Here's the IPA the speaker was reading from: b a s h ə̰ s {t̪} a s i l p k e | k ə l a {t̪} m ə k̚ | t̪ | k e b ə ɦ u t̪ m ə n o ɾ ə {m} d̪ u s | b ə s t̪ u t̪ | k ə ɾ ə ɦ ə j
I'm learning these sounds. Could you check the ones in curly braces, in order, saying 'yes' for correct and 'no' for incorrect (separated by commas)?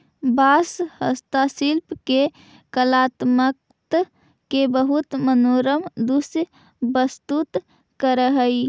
yes, yes, yes